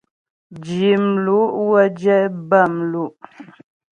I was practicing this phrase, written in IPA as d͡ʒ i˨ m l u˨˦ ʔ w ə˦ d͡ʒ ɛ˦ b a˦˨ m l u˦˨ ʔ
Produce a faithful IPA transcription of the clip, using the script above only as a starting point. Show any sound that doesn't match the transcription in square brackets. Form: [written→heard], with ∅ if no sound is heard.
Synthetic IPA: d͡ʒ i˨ m l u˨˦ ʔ w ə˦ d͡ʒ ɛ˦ b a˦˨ m l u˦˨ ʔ